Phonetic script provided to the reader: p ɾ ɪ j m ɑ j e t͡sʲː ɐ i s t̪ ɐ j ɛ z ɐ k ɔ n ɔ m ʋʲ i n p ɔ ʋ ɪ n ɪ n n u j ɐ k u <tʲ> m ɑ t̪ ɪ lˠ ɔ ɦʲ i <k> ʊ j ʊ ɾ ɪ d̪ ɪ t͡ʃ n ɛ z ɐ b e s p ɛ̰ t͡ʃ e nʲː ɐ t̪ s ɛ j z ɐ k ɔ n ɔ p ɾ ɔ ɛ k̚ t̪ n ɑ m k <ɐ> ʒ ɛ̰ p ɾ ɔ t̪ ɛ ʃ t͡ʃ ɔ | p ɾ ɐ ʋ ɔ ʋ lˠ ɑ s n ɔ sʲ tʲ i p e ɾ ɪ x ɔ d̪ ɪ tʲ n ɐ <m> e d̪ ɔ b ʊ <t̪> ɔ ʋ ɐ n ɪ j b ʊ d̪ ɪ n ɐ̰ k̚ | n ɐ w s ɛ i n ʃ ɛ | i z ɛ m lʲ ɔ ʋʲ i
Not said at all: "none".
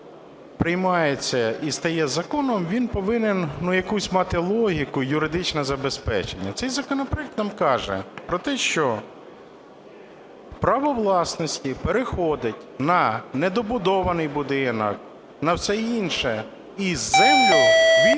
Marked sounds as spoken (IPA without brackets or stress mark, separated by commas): sʲ, k, ɑ, n, d̪